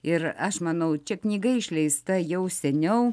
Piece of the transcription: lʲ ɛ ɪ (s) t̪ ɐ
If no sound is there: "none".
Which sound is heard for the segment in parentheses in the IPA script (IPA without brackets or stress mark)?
s